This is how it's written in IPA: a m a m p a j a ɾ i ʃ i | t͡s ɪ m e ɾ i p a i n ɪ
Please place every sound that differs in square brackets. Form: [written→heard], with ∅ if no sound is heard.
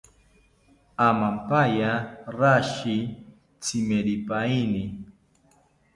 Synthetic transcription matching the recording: a m a m p a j a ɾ [i→a] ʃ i | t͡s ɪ m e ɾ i p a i n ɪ

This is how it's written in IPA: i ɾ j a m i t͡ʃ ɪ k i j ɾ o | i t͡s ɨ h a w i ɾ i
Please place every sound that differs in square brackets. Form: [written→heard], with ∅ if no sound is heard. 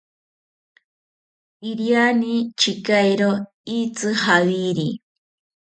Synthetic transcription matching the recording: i ɾ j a [m→n] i t͡ʃ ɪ k [i→a] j ɾ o | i t͡s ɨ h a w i ɾ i

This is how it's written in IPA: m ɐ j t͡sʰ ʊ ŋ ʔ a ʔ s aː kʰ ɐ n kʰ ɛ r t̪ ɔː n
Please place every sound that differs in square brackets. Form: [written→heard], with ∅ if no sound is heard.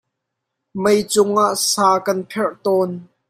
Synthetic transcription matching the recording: m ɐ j [t͡sʰ→t͡s] ʊ ŋ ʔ a ʔ s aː [kʰ→k] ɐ n [kʰ→pʰ] ɛ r t̪ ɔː n

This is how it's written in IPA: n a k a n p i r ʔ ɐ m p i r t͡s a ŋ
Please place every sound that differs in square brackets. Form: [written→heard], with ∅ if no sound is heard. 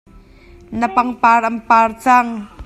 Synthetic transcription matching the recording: n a [k→p] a [n→ŋ] p [i→a] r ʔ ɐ m p [i→a] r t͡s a ŋ

